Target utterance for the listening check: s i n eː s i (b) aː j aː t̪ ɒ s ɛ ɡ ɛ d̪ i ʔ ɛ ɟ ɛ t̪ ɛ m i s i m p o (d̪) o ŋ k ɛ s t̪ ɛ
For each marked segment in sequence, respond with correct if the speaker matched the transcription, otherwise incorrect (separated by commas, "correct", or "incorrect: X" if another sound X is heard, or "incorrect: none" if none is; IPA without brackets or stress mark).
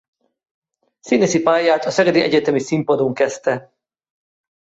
incorrect: p, correct